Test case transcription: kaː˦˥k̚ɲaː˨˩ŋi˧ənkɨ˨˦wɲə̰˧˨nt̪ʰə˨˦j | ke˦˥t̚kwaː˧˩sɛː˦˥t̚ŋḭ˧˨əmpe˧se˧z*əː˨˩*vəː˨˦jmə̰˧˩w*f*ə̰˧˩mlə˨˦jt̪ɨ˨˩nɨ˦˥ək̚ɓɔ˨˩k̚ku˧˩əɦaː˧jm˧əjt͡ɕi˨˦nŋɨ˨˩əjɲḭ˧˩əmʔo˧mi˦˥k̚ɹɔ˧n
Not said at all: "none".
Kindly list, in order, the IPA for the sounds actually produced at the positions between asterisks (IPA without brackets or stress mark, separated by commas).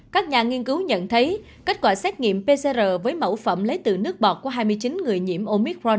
əː˨˩, f